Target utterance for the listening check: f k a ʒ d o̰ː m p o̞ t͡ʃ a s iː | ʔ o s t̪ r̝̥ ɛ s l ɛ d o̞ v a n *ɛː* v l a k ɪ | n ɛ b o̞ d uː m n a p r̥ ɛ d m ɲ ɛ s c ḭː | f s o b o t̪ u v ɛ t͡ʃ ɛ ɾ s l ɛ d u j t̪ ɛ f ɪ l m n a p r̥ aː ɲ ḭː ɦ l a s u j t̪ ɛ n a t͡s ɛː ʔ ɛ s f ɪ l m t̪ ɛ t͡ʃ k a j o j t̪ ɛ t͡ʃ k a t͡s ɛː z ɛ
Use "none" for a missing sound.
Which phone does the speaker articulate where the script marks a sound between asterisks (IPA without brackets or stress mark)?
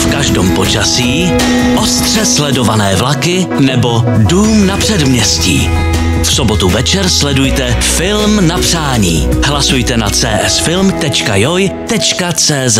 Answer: ɛː